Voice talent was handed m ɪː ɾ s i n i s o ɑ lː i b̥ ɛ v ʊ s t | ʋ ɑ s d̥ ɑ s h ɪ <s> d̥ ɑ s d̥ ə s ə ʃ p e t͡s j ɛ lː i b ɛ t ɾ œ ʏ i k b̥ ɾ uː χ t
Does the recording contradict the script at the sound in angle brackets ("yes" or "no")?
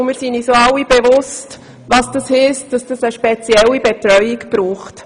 no